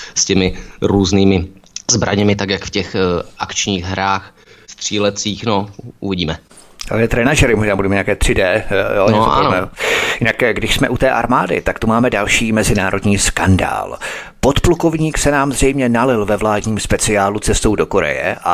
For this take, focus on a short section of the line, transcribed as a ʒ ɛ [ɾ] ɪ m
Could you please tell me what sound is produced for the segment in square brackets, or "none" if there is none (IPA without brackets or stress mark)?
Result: ɾ